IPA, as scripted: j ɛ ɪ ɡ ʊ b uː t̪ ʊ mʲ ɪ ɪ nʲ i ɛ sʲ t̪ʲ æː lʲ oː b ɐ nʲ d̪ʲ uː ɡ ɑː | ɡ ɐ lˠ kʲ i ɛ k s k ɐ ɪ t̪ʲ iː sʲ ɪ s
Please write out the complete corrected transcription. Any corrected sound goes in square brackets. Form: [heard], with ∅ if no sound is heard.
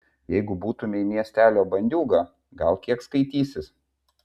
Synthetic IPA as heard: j ɛ ɪ ɡ ʊ b uː t̪ ʊ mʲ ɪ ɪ [mʲ] i ɛ sʲ t̪ʲ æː lʲ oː b ɐ nʲ d̪ʲ uː ɡ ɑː | ɡ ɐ lˠ kʲ i ɛ k s k ɐ ɪ t̪ʲ iː sʲ ɪ s